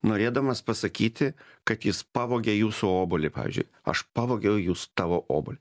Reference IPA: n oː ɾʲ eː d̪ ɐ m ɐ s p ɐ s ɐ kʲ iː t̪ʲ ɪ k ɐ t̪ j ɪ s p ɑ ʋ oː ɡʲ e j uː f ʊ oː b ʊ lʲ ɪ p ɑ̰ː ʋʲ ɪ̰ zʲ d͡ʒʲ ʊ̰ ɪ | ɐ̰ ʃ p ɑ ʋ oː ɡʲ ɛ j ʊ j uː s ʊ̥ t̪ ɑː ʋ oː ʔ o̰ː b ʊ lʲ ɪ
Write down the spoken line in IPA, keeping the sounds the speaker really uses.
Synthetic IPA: n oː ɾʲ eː d̪ ɐ m ɐ s p ɐ s ɐ kʲ iː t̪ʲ ɪ k ɐ t̪ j ɪ s p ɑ ʋ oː ɡʲ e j uː s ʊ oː b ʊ lʲ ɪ p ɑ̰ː ʋʲ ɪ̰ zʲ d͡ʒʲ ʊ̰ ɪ | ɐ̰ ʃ p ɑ ʋ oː ɡʲ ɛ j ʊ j uː s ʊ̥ t̪ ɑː ʋ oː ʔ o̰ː b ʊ lʲ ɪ

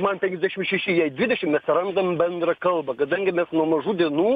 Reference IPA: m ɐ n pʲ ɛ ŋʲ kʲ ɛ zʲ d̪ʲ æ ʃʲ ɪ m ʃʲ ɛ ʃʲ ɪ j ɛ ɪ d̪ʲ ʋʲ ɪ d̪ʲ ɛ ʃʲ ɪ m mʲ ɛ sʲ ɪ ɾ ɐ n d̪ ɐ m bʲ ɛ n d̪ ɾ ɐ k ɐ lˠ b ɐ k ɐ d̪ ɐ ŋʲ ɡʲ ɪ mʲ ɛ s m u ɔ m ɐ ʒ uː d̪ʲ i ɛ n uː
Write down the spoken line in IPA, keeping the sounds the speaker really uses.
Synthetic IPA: m ɐ n pʲ ɛ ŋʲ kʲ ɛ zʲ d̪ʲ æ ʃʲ ɪ m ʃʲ ɛ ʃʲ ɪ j ɛ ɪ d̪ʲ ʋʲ ɪ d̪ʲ ɛ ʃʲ ɪ m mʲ ɛ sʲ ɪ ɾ ɐ n d̪ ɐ m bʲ ɛ n d̪ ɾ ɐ k ɐ lˠ b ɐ k ɐ d̪ ɐ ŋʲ ɡʲ ɪ mʲ ɛ s n u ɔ m ɐ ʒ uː d̪ʲ i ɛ n uː

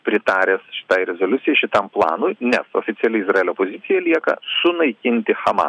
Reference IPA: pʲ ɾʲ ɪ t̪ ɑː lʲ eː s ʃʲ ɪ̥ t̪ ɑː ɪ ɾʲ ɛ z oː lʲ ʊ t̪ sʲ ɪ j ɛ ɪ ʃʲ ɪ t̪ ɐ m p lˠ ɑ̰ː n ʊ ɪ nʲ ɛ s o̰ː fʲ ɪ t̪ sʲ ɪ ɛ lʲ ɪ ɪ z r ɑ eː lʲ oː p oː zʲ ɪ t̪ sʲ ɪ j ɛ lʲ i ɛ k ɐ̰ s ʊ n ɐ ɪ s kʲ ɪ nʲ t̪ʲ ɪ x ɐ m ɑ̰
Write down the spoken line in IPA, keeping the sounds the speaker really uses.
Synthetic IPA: pʲ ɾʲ ɪ t̪ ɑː ɾʲ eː s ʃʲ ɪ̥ t̪ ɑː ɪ ɾʲ ɛ z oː lʲ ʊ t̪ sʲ ɪ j ɛ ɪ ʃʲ ɪ t̪ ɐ m p lˠ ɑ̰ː n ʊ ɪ nʲ ɛ s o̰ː fʲ ɪ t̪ sʲ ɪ ɛ lʲ ɪ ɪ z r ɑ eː lʲ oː p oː zʲ ɪ t̪ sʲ ɪ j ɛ lʲ i ɛ k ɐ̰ s ʊ n ɐ ɪ kʲ ɪ nʲ t̪ʲ ɪ x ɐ m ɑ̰

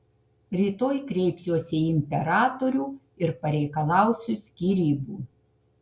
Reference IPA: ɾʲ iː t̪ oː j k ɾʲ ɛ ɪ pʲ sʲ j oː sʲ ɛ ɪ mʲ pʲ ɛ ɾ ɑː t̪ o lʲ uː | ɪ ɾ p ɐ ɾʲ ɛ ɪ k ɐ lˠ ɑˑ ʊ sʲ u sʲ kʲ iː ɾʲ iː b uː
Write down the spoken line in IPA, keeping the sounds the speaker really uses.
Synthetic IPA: ɾʲ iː t̪ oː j k ɾʲ ɛ ɪ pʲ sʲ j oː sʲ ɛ ɪ mʲ pʲ ɛ ɾ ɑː t̪ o ɾʲ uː | ɪ ɾ p ɐ ɾʲ ɛ ɪ k ɐ lˠ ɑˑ ʊ sʲ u sʲ kʲ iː ɾʲ iː b uː

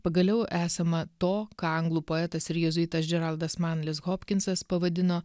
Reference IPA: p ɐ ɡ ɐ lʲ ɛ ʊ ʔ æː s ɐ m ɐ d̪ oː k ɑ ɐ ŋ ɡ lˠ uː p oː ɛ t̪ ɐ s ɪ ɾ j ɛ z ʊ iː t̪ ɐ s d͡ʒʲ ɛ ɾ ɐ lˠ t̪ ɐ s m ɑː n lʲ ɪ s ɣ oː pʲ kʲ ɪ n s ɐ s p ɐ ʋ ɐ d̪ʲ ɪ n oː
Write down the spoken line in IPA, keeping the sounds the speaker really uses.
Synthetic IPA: p ɐ ɡ ɐ lʲ ɛ ʊ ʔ æː s ɐ m ɐ t̪ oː k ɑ ɐ ŋ ɡ lˠ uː p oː ɛ t̪ ɐ s ɪ ɾ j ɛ z ʊ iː t̪ ɐ s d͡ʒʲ ɛ ɾ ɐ lˠ d̪ ɐ s m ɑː n lʲ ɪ s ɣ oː pʲ kʲ ɪ n s ɐ s p ɐ ʋ ɐ d̪ʲ ɪ n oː

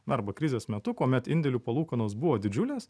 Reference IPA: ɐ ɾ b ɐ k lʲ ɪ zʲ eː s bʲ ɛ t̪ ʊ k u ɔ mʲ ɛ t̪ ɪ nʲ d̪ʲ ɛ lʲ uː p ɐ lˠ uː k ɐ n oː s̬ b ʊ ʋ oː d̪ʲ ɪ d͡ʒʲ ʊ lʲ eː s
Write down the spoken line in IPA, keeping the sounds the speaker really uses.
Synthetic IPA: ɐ ɾ b ɐ k ɾʲ ɪ zʲ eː s mʲ ɛ t̪ ʊ k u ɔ mʲ ɛ t̪ ɪ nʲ d̪ʲ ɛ lʲ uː p ɐ lˠ uː k ɐ n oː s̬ b ʊ ʋ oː d̪ʲ ɪ d͡ʒʲ ʊ lʲ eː s

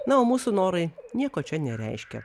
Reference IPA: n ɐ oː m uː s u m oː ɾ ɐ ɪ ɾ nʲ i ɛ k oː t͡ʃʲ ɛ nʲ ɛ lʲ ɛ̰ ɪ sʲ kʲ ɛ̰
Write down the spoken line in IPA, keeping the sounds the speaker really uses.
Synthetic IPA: n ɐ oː m uː s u n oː ɾ ɐ ɪ nʲ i ɛ k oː t͡ʃʲ ɛ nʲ ɛ ɾʲ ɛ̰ ɪ ʃʲ kʲ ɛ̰

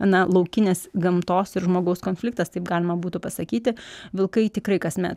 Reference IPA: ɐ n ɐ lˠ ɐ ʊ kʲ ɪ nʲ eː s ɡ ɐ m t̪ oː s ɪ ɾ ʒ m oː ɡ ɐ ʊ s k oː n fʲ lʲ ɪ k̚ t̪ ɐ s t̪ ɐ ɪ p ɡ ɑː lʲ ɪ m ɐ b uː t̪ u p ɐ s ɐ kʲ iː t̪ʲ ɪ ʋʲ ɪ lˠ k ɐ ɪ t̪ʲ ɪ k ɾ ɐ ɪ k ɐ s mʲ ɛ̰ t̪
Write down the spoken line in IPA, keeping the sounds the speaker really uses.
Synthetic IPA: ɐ n ɐ lˠ ɐ ʊ kʲ ɪ nʲ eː s ɡ ɐ m t̪ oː s ɪ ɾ ʒ m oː ɡ ɐ ʊ s k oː n fʲ lʲ ɪ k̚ t̪ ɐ s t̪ ɐ ɪ p ɡ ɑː lʲ ɪ m ɐ b uː t̪ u p ɐ s ɐ kʲ iː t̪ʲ ɪ ʋʲ ɪ lˠ k ɐ ɪ t̪ʲ ɪ k ɾ ɐ ɪ k ɐ s mʲ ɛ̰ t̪

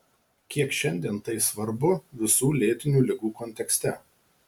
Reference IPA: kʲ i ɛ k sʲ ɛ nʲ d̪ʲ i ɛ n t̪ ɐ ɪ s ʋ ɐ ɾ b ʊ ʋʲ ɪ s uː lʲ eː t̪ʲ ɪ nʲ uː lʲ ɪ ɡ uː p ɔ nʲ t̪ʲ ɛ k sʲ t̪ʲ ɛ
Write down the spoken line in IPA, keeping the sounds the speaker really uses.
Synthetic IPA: kʲ i ɛ k ʃʲ ɛ nʲ d̪ʲ i ɛ n t̪ ɐ ɪ s ʋ ɐ ɾ b ʊ ʋʲ ɪ s uː lʲ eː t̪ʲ ɪ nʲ uː lʲ ɪ ɡ uː k ɔ nʲ t̪ʲ ɛ k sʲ t̪ʲ ɛ

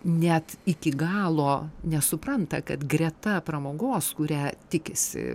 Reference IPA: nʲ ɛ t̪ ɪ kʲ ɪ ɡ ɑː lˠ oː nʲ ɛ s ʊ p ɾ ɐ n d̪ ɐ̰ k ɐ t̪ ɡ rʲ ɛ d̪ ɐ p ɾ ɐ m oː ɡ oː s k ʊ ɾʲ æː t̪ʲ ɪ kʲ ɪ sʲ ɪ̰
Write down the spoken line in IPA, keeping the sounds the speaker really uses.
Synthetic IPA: nʲ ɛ t̪ ɪ kʲ ɪ ɡ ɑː lˠ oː nʲ ɛ s ʊ p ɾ ɐ n t̪ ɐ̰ k ɐ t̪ ɡ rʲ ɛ t̪ ɐ p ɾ ɐ m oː ɡ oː s k ʊ ɾʲ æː t̪ʲ ɪ kʲ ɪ sʲ ɪ̰

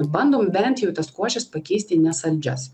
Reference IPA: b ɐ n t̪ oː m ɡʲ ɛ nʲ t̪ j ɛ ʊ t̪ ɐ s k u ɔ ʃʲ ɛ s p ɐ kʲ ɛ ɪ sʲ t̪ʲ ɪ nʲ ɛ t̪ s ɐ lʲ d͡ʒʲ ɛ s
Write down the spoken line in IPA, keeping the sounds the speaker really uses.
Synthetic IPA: b ɐ n d̪ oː m bʲ ɛ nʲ t̪ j ɛ ʊ t̪ ɐ s k u ɔ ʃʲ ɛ s p ɐ kʲ ɛ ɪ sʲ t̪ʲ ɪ nʲ ɛ s ɐ lʲ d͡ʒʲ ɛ s

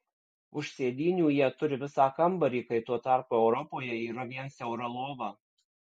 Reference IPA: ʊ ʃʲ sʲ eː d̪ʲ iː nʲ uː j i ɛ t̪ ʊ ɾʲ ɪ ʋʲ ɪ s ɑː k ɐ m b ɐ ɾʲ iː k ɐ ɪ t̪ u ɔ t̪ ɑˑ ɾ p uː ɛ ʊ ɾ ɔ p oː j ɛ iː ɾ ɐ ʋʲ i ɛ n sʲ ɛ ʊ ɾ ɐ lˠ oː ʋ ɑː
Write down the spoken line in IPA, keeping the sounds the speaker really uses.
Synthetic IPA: ʊ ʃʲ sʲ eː d̪ʲ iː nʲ uː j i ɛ t̪ ʊ ɾʲ ɪ ʋʲ ɪ s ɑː k ɐ m b ɐ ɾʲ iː k ɐ ɪ t̪ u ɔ t̪ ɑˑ ɾ p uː ɛ ʊ ɾ ɔ p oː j ɛ iː ɾ ɐ ʋʲ i ɛ n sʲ ɛ ʊ ɾ ɐ lˠ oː ʋ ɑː

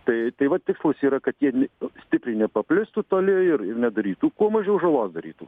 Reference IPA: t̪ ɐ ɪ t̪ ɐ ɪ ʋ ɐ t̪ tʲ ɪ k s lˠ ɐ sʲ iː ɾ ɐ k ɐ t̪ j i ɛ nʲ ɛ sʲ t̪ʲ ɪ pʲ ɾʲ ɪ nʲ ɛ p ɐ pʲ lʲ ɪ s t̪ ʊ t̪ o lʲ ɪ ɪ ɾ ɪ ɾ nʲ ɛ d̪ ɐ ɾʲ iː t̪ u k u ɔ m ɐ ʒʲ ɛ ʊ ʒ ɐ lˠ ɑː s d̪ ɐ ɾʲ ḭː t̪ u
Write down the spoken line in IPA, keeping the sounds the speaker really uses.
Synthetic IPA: t̪ ɐ ɪ t̪ ɐ ɪ ʋ ɐ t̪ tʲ ɪ k s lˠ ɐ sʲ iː ɾ ɐ k ɐ t̪ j i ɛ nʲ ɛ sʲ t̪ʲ ɪ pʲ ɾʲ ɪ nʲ ɛ p ɐ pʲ lʲ ɪ s t̪ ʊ t̪ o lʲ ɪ ɪ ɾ ɪ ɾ nʲ ɛ d̪ ɐ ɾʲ iː t̪ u k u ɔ m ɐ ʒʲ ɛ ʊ ʒ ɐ lˠ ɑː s d̪ ɐ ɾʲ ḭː t̪ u

